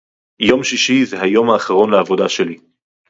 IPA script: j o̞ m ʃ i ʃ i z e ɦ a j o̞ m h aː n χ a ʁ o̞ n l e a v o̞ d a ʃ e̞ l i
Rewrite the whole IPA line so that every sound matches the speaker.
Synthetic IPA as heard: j o̞ m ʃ i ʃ i z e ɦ a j o̞ m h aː χ a ʁ o̞ n l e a v o̞ d a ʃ e̞ l i